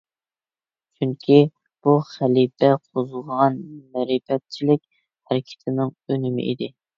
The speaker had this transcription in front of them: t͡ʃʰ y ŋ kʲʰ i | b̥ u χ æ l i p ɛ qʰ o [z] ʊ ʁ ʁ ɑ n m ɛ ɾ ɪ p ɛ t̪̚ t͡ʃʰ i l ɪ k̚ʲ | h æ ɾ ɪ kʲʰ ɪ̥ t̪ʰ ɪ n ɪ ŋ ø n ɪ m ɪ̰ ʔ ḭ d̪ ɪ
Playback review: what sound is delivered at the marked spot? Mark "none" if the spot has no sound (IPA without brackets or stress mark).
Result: z